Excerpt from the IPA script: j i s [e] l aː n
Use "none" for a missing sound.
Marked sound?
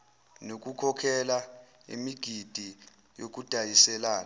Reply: ɛ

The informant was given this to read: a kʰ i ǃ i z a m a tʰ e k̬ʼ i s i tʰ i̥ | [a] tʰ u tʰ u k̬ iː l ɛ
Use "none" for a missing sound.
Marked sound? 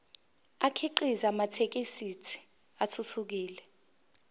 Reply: a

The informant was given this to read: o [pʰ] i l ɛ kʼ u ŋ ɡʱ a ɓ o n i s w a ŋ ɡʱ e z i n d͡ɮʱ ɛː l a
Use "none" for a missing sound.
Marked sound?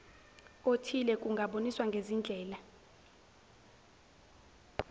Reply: tʰ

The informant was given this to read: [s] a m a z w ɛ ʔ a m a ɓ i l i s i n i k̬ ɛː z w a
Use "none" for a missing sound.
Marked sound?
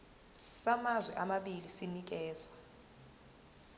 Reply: s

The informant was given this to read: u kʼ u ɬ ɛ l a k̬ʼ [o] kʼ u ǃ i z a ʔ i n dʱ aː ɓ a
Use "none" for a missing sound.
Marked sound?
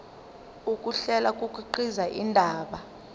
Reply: u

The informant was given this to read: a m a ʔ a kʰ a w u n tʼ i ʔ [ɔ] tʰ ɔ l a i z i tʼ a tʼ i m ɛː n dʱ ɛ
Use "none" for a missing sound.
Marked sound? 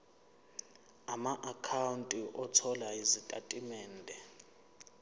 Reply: ɔ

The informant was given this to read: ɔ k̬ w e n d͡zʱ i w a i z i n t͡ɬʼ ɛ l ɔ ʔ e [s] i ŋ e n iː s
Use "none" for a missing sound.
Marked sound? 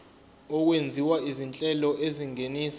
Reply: z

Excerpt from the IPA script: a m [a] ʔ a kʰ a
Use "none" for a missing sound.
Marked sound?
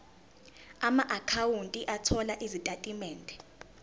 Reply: a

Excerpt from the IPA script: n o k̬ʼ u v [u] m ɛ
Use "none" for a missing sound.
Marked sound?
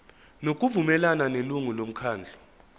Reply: u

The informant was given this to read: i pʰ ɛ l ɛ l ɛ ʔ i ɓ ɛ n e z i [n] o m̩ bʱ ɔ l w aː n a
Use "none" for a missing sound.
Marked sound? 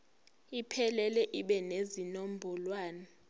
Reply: n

